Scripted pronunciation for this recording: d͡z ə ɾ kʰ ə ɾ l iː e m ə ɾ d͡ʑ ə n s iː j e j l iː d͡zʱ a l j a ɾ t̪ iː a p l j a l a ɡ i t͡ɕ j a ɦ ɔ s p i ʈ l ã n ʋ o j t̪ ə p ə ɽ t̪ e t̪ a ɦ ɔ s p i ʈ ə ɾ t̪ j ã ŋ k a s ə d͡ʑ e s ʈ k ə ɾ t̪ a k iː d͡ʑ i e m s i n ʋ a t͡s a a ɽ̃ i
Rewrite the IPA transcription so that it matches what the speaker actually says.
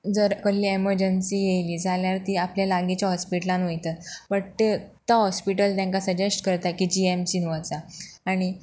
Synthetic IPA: d͡z ə ɾ k ə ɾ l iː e m ə ɾ d͡ʑ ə n s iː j e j l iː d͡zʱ a l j a ɾ t̪ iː a p l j a l a ɡ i t͡ɕ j a ɦ ɔ s p i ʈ l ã n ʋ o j t̪ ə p ə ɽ t̪ e t̪ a ɦ ɔ s p i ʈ ə l t̪ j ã ŋ k a s ə d͡ʑ e s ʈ k ə ɾ t̪ a k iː d͡ʑ i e m s i n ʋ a t͡s a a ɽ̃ i